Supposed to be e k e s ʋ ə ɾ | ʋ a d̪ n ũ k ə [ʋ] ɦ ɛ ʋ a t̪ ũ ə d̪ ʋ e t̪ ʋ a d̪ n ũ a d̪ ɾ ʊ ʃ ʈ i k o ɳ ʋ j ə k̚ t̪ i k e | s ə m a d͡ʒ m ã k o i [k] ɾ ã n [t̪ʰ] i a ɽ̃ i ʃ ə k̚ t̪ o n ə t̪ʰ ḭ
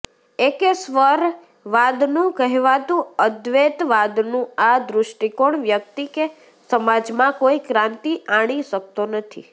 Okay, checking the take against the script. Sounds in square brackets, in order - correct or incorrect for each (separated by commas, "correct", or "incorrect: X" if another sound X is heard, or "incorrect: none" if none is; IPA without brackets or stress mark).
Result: incorrect: none, correct, incorrect: t̪